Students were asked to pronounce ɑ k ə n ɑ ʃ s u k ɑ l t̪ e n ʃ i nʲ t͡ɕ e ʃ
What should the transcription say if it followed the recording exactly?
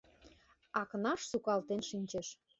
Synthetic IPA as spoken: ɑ k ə n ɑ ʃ s u k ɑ l t̪ e n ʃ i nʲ t͡ɕ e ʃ